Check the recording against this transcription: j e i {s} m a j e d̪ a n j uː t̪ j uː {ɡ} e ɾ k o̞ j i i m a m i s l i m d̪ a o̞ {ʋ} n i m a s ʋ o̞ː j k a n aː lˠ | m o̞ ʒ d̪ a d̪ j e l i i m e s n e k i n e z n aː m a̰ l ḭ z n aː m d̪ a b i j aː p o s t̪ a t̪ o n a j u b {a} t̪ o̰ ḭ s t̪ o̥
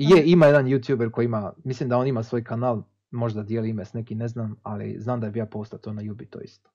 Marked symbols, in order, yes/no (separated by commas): no, no, no, no